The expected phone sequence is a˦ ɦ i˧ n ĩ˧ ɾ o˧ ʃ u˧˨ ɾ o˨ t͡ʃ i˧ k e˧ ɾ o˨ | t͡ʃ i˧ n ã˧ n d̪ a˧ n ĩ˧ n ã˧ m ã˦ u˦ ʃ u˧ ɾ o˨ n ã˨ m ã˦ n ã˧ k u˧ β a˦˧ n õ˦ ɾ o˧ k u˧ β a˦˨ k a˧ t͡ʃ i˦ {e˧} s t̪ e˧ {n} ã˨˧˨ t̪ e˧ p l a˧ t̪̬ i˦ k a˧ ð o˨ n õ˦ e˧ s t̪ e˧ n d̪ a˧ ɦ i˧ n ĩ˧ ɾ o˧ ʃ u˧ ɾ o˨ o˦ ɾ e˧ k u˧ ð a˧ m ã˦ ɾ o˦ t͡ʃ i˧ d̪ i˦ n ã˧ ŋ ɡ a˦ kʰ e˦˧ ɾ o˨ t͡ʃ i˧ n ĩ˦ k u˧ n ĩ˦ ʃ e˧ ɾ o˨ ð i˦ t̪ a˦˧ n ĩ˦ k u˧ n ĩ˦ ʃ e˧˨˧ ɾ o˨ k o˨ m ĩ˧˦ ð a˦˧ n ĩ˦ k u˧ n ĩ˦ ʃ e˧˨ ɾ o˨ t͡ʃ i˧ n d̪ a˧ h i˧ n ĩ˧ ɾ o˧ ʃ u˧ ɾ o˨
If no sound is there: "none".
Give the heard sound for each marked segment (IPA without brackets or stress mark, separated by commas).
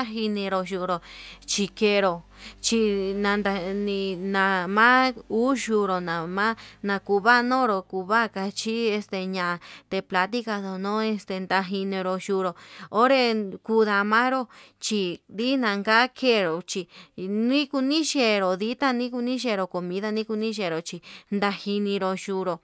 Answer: e˧, ɲ